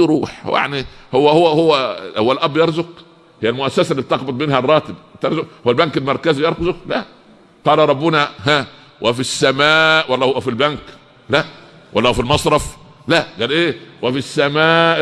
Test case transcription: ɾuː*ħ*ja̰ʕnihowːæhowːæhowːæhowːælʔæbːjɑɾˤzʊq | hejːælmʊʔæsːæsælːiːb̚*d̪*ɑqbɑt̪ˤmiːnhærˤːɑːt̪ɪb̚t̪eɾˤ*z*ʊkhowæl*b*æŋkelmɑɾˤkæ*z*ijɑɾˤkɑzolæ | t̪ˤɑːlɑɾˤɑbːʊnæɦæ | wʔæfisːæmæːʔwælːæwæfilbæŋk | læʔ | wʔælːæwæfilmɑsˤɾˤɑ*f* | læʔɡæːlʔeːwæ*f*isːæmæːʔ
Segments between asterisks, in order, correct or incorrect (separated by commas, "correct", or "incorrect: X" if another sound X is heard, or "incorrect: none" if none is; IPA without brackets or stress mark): correct, incorrect: t̪, correct, correct, correct, correct, correct